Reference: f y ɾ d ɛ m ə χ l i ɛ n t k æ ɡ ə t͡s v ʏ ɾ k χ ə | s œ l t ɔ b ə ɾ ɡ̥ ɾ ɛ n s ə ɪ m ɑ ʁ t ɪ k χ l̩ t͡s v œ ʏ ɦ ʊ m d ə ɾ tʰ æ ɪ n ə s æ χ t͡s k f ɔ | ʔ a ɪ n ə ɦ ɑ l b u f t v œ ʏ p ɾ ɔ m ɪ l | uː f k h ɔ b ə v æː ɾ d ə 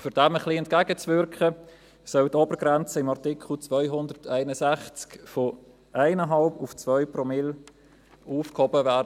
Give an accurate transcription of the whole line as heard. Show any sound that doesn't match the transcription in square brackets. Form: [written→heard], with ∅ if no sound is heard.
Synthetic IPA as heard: f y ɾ d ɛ m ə χ l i ɛ n t k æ ɡ ə t͡s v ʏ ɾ k χ ə | s œ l t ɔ b ə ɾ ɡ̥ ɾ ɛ n [s→t͡s] ə ɪ m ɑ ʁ t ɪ k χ l̩ t͡s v œ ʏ ɦ ʊ [m→n] d ə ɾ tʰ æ ɪ n ə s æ χ t͡s k f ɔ | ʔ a ɪ n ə ɦ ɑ l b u f [t→t͡s] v œ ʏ p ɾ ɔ m ɪ l | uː f k h ɔ b ə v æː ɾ d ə